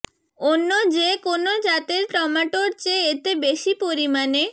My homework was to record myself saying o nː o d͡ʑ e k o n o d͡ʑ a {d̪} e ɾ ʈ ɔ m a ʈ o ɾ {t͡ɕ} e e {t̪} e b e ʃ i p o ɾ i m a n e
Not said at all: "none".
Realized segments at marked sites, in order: t̪, t͡ɕ, t̪

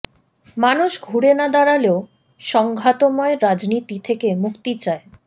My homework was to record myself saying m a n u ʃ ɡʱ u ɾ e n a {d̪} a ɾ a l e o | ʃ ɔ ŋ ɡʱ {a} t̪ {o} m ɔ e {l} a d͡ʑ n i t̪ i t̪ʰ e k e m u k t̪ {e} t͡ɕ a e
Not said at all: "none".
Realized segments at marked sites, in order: d̪, a, o, ɾ, i

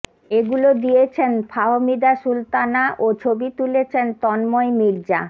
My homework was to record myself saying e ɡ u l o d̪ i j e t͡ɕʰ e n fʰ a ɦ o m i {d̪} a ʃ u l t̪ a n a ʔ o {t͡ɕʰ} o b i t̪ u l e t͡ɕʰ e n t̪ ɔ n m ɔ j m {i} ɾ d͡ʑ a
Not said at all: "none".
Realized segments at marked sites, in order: d̪, t͡ɕʰ, i

